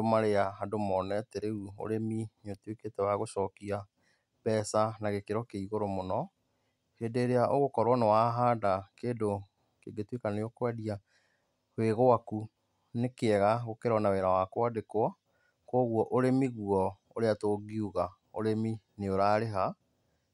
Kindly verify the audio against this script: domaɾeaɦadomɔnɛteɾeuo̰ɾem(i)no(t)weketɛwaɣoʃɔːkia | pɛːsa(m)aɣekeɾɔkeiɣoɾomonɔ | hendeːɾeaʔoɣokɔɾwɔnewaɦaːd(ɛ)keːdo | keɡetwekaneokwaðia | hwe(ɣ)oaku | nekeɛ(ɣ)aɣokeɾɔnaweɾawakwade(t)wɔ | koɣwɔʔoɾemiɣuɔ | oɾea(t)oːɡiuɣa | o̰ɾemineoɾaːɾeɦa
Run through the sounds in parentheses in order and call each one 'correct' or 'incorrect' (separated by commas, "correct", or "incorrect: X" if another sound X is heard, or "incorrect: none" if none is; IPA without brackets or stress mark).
correct, correct, incorrect: n, incorrect: a, correct, correct, incorrect: k, correct